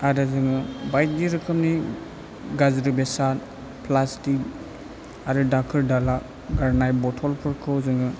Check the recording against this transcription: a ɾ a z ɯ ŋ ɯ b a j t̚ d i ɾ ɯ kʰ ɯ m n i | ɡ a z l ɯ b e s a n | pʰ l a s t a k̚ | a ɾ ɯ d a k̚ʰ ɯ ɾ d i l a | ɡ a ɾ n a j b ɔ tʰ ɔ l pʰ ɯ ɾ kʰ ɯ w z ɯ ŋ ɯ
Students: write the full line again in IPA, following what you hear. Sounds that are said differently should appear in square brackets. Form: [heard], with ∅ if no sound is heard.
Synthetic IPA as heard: a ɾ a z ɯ ŋ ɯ b a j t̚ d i ɾ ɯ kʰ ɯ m n i | ɡ a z [ɾ] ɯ b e s a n | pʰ l a s t [i] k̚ | a ɾ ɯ d a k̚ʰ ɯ ɾ d [a] l a | ɡ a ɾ n a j b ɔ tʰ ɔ l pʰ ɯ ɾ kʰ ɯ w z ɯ ŋ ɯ